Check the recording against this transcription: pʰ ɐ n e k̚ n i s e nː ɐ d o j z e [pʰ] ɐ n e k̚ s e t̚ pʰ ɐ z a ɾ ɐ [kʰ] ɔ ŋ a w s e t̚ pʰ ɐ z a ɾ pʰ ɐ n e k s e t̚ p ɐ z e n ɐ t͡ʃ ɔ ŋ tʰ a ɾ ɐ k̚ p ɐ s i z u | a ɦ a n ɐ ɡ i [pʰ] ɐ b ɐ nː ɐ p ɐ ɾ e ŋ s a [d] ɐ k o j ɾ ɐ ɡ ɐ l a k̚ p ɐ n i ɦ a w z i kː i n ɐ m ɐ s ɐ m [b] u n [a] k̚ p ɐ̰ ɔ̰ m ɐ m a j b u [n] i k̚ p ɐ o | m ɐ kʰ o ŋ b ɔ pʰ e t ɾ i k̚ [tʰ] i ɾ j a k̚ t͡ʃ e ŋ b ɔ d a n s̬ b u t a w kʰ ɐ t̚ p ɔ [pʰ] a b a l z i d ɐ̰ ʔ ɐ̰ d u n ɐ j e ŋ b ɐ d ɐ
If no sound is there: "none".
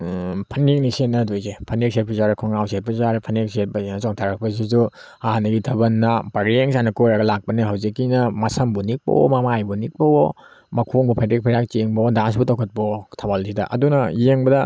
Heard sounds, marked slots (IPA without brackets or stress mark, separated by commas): pʰ, kʰ, tʰ, n, b, i, n, pʰ, tʰ